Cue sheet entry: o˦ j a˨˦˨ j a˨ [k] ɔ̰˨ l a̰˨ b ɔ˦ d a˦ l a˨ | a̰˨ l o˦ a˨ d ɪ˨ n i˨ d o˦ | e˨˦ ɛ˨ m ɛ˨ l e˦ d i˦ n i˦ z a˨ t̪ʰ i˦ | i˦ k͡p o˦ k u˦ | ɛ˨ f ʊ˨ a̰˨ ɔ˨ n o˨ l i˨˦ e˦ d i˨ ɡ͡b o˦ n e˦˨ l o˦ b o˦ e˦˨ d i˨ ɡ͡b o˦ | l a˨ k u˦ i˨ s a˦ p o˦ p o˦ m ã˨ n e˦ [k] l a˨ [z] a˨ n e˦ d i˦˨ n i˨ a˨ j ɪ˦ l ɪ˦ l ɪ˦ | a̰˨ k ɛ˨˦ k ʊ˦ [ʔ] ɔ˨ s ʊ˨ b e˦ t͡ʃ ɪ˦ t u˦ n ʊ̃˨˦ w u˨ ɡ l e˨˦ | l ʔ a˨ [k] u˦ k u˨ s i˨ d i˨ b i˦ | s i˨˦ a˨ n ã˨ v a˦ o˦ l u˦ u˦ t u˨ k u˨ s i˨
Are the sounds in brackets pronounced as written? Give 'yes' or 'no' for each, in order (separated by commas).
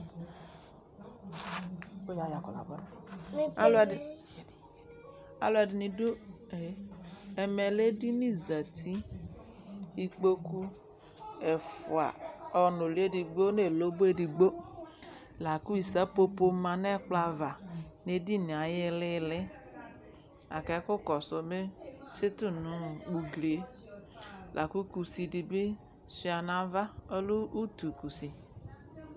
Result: yes, no, no, no, yes